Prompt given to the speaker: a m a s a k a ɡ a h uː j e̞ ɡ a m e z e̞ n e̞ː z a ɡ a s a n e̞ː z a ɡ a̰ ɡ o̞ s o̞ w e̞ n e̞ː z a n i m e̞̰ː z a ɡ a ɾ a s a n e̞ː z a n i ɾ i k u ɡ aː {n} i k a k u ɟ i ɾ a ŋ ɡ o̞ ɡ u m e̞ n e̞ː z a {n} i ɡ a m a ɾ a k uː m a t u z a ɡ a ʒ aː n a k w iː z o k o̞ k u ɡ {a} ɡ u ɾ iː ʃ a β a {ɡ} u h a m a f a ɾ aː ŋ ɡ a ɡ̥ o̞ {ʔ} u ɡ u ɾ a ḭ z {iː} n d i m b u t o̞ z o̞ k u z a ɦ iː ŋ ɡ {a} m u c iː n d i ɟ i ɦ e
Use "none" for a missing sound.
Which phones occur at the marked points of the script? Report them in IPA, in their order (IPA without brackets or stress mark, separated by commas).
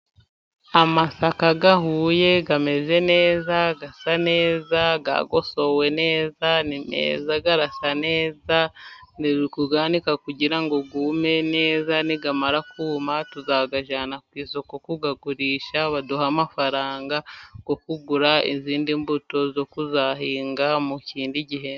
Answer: n, n, a, d, k, iː, a